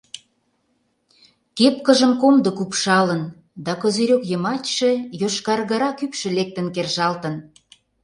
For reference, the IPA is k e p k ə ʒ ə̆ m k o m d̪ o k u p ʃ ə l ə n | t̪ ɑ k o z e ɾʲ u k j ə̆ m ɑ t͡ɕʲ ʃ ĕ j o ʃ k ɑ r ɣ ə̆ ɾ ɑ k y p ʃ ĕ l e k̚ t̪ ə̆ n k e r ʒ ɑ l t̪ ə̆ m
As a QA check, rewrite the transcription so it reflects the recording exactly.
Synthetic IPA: k e p k ə ʒ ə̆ m k o m d̪ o k u p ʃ ɑ l ə n | d̪ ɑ k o z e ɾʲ o k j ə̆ m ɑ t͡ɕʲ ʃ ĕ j o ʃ k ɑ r ɣ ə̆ ɾ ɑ k y p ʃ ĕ l e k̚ t̪ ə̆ n k e r ʒ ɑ l t̪ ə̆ n